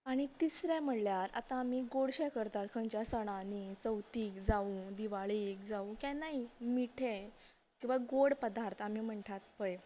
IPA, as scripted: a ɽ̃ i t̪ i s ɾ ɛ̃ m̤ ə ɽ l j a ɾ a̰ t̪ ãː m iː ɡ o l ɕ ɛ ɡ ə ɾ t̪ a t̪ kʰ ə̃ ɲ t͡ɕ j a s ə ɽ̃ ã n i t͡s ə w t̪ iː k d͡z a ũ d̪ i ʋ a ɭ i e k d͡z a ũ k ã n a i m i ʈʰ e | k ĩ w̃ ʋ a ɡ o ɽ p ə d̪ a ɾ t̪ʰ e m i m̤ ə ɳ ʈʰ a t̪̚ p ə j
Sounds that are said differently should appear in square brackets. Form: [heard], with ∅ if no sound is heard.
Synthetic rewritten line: a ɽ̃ i t̪ i s ɾ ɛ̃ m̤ ə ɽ l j a ɾ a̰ t̪ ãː m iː ɡ o [ɽ] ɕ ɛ [k] ə ɾ t̪ a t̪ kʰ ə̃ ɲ t͡ɕ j a s ə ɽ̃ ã n i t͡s ə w t̪ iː k d͡z a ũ d̪ i ʋ a ɭ i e k d͡z a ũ k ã n a i m i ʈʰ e | k ĩ w̃ ʋ a ɡ o ɽ p ə d̪ a ɾ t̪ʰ [a] m i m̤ ə ɳ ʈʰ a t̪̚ p ə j